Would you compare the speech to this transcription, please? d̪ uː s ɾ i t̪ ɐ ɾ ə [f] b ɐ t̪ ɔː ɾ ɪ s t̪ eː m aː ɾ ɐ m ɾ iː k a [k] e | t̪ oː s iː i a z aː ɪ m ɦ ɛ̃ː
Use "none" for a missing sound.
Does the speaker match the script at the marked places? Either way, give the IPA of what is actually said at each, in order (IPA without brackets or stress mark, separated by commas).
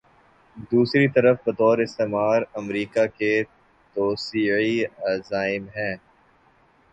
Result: f, k